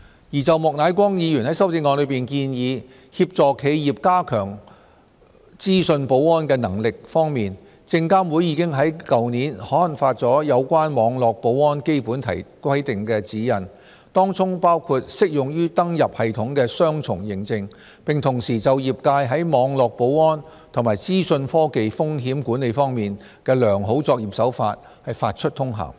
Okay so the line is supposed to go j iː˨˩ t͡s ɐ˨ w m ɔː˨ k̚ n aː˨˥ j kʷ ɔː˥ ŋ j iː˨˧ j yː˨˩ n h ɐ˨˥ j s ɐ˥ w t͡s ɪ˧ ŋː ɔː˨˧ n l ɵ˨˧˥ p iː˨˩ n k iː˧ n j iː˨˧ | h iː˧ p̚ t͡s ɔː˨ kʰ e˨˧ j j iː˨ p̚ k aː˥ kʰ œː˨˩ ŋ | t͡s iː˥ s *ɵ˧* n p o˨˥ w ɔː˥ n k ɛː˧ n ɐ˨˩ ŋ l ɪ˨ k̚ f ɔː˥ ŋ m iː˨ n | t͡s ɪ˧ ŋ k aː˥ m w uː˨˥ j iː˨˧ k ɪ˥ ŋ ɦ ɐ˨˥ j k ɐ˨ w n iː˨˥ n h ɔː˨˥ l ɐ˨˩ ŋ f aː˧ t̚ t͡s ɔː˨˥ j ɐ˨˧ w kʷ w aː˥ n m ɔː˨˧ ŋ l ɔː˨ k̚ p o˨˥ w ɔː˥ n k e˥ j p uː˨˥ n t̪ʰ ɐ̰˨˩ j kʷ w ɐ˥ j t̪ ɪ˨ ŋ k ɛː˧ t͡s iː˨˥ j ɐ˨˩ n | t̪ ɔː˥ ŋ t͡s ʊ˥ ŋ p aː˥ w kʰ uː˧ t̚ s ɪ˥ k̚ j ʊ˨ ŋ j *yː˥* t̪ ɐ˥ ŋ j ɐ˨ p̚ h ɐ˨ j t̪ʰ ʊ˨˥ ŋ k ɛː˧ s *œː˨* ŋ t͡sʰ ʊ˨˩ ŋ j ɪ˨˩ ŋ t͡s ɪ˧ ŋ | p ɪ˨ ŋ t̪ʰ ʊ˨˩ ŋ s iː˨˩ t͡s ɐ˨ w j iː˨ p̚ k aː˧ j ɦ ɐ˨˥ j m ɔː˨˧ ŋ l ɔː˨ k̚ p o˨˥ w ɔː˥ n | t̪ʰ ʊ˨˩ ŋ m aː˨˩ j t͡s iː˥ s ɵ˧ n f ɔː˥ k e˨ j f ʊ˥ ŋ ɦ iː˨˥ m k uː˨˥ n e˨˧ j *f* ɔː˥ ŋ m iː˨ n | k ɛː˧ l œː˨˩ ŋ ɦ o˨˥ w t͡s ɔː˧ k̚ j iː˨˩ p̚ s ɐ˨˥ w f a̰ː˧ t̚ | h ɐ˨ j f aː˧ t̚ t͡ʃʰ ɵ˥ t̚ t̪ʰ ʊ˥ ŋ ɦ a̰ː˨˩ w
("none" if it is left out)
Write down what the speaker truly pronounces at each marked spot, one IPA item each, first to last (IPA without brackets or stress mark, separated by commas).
ɵ˧, yː˥, œː˥, f